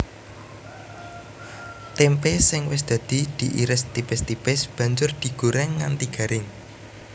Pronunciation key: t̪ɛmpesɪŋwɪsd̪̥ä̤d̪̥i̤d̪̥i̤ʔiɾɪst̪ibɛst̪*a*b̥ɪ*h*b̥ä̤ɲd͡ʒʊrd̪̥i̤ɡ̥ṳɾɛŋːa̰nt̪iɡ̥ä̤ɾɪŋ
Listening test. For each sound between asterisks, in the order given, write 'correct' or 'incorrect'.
incorrect: i, incorrect: s

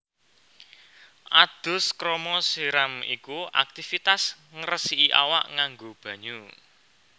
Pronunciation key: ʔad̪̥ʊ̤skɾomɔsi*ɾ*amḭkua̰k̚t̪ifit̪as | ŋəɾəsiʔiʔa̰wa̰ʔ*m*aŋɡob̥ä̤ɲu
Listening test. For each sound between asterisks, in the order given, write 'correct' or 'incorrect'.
correct, incorrect: ŋ

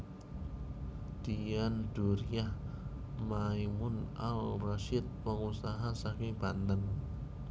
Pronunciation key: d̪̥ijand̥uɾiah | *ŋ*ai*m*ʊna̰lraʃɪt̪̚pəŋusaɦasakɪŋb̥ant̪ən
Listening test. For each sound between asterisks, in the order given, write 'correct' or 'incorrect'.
incorrect: m, correct

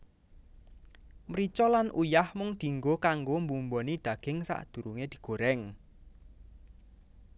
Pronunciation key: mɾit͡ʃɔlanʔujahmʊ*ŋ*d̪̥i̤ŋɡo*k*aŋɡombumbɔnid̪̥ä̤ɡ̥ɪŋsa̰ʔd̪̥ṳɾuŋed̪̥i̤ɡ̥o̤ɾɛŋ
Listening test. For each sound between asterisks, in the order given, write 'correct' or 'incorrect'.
correct, correct

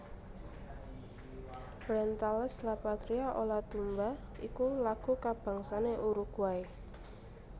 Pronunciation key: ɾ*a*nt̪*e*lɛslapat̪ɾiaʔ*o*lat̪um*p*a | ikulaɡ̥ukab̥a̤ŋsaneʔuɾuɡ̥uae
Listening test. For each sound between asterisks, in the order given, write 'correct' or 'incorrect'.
incorrect: ɛ, incorrect: a, correct, incorrect: b

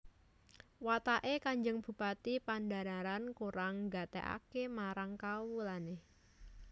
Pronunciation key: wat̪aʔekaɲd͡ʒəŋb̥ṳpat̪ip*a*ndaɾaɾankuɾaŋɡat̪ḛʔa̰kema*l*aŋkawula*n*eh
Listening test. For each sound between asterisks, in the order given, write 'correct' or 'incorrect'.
correct, incorrect: ɾ, correct

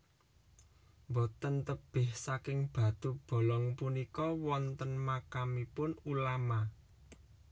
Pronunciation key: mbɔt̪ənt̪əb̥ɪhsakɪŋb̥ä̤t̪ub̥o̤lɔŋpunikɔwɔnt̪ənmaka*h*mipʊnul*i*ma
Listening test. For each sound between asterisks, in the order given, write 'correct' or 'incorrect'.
incorrect: none, incorrect: a

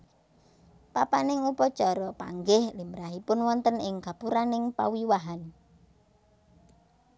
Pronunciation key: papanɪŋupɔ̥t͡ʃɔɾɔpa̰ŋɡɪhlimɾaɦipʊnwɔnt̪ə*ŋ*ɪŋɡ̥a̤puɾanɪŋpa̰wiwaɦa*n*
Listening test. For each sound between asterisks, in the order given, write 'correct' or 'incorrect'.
incorrect: n, correct

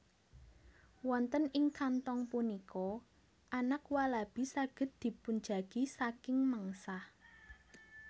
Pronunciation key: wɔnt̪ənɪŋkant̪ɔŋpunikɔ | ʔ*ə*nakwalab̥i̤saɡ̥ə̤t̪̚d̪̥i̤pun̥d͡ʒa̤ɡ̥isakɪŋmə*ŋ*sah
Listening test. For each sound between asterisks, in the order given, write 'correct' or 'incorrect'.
incorrect: a, correct

